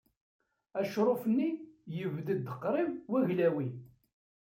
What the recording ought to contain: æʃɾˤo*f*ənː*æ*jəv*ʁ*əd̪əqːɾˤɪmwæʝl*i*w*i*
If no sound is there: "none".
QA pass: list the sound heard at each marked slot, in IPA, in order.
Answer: f, i, ð, æ, i

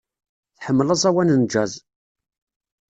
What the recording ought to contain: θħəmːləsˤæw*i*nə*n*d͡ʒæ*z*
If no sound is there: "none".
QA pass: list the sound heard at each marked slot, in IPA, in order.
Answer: æ, n, z

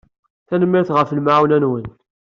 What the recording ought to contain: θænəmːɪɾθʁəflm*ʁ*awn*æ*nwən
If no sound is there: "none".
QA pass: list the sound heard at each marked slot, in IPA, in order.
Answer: ʕ, æ

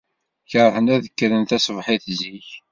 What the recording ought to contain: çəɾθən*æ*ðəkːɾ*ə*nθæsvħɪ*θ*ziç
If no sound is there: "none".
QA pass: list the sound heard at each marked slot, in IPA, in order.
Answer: æ, ə, θ

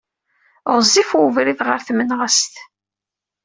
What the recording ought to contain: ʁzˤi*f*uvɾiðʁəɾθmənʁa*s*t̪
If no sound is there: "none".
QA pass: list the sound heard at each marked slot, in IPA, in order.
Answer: f, s

